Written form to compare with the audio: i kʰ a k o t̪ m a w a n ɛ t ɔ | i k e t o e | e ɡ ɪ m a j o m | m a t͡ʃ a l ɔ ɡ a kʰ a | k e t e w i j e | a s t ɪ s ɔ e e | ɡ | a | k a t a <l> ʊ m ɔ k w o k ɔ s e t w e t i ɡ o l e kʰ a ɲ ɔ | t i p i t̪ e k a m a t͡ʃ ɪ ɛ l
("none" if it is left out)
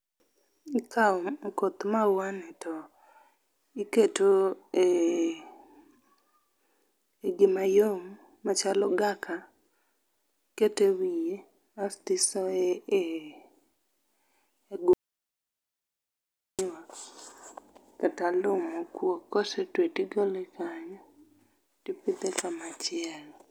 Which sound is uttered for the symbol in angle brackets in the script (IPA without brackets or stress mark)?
l